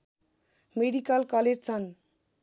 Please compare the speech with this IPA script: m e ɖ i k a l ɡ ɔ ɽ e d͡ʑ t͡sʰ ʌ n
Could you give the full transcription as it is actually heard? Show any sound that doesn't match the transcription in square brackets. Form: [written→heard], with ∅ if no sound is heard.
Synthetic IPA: m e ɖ i k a l [ɡ→k] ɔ [ɽ→l] e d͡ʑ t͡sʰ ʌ n